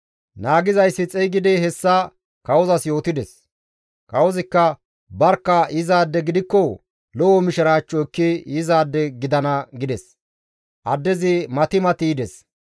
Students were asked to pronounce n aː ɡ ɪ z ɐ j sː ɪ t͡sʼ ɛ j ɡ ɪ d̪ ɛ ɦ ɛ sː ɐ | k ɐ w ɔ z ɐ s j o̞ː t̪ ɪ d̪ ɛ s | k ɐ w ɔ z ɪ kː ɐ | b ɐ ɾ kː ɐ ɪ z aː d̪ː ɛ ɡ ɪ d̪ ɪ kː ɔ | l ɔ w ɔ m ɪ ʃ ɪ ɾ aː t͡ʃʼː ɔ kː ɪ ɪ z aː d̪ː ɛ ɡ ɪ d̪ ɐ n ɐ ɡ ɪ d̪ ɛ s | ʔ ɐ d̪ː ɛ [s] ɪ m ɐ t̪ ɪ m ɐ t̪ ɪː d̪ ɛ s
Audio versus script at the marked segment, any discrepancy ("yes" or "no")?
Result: yes